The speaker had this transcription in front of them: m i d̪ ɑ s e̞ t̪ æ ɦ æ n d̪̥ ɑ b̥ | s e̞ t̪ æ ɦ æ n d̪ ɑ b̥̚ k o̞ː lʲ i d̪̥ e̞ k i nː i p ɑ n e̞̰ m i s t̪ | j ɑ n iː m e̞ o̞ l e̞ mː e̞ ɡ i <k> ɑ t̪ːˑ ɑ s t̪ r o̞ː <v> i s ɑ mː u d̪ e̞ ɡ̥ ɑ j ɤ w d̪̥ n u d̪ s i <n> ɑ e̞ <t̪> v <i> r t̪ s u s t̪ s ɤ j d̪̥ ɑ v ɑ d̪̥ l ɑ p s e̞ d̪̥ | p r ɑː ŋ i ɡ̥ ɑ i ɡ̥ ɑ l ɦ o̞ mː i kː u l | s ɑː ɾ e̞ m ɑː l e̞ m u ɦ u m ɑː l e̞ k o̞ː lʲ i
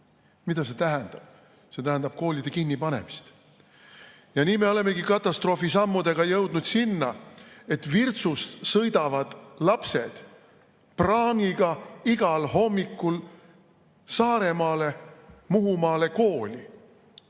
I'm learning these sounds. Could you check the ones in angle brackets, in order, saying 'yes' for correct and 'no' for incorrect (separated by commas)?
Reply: yes, no, no, yes, yes